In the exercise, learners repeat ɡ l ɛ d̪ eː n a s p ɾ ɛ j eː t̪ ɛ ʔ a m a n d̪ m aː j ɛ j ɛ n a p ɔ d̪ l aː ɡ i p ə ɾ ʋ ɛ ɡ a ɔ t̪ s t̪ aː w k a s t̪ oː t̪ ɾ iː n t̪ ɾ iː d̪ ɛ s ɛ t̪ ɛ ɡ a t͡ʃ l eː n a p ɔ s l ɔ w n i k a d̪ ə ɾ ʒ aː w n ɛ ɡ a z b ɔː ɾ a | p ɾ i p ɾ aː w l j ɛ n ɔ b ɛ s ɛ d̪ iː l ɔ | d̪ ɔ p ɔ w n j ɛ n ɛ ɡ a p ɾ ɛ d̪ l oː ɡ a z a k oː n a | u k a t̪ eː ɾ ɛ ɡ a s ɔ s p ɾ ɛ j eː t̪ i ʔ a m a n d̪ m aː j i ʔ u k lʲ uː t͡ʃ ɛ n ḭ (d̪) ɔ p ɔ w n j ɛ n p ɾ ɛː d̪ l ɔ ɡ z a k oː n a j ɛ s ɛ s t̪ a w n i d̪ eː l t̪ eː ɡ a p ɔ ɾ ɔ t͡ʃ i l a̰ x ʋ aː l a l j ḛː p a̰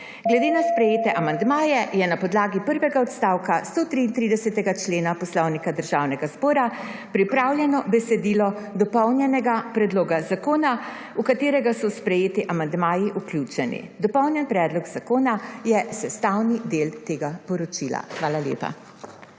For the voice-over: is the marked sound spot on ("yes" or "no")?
yes